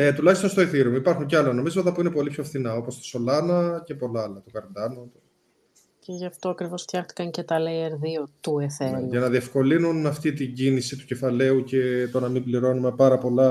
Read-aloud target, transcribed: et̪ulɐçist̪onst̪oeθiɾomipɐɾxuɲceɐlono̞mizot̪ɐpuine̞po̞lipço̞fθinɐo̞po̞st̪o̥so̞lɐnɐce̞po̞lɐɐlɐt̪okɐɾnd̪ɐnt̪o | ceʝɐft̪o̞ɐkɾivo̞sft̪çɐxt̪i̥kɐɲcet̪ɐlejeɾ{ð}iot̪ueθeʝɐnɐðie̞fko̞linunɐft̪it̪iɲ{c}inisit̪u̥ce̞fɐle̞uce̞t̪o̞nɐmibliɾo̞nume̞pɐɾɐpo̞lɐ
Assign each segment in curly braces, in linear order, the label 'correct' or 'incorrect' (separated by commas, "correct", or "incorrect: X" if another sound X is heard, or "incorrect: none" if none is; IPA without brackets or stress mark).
correct, incorrect: ɟ